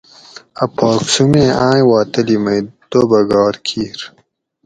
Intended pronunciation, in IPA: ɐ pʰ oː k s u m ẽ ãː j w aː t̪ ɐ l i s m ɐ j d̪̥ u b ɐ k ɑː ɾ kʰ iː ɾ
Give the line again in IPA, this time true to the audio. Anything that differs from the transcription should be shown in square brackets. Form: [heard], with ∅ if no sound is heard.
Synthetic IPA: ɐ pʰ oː k s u m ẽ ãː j w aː t̪ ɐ l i [∅] m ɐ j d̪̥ [o] b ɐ [ɡ] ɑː ɾ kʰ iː ɾ